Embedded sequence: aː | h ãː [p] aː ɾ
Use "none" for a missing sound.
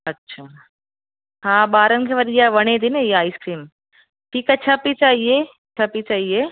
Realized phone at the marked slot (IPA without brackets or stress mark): b